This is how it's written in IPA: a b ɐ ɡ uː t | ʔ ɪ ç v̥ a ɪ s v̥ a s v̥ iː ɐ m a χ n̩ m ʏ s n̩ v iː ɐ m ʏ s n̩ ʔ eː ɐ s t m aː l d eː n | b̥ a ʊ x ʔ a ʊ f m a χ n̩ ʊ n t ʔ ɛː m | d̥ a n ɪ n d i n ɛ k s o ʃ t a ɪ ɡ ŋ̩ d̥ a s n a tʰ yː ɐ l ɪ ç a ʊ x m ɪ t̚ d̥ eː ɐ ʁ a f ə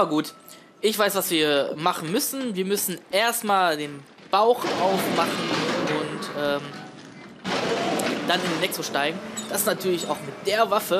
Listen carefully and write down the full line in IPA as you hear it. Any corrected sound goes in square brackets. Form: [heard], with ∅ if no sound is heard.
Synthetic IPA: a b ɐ ɡ uː t | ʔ ɪ ç v̥ a ɪ s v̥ a s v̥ iː ɐ m a χ n̩ m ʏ s n̩ v iː ɐ m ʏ s n̩ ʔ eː ɐ s t m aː l d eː n | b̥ a ʊ x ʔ a ʊ f m a χ n̩ ʊ n t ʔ ɛː m | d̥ a n ɪ n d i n ɛ k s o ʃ t a ɪ ɡ ŋ̩ d̥ a s n a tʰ yː ɐ l ɪ ç a ʊ x m ɪ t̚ d̥ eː ɐ [v] a f ə